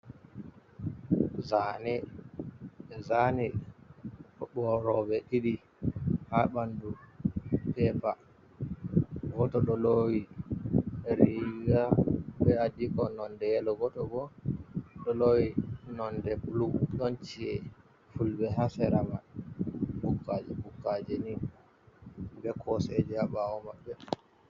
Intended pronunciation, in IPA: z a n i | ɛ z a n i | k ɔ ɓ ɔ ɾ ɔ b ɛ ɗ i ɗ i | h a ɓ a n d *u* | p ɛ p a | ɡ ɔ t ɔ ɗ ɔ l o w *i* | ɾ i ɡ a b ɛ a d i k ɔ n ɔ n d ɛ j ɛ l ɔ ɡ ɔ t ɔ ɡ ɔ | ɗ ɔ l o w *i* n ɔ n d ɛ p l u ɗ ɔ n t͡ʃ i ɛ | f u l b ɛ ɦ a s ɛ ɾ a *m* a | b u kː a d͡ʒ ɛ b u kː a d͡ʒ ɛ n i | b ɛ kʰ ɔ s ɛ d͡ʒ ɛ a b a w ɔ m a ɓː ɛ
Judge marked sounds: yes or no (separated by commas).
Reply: yes, yes, yes, yes